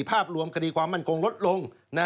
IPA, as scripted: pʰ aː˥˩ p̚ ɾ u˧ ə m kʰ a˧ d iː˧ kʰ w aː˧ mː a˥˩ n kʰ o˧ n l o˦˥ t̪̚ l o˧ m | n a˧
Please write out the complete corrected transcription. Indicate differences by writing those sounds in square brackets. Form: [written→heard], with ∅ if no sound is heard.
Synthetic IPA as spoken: pʰ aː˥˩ p̚ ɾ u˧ ə m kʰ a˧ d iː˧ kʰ w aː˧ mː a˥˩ n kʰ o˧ [n→ŋ] l o˦˥ t̪̚ l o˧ [m→ŋ] | n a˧